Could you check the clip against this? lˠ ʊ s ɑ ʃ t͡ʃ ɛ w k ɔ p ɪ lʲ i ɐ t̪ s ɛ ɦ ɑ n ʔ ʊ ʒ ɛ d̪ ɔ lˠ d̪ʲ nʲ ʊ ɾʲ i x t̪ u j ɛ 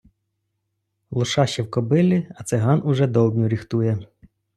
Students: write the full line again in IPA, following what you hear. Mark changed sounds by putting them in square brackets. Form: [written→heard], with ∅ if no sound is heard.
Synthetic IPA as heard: lˠ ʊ [s→ʃ] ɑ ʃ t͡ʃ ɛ w k ɔ [p→b] ɪ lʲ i ɐ t̪ s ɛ ɦ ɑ n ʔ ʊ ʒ ɛ d̪ ɔ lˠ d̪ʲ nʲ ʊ ɾʲ i x t̪ u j ɛ